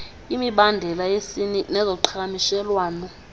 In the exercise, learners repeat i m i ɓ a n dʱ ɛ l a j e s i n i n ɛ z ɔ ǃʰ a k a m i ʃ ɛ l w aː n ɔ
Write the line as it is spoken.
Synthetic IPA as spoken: i m i ɓ a n dʱ ɛ l a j e s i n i n ɛ z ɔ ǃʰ a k a m i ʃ ɛ l w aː n ɔ